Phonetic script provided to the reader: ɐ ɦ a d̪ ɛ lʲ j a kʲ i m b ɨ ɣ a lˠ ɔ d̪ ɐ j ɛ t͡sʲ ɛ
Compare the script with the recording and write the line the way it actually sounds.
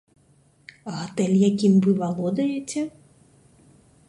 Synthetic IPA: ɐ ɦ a t̪ ɛ lʲ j a kʲ i m v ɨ v a lˠ ɔ d̪ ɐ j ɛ t͡sʲ ɛ